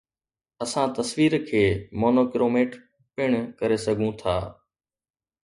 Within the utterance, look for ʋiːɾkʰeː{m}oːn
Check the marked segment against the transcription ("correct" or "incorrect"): correct